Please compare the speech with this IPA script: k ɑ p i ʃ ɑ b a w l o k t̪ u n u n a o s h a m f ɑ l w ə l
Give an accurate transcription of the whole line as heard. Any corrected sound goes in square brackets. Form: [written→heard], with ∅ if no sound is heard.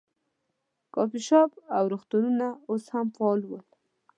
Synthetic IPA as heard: k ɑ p i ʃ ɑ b a w [l→ɾ] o [k→x] t̪ u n u n a o s h a m f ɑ l w ə l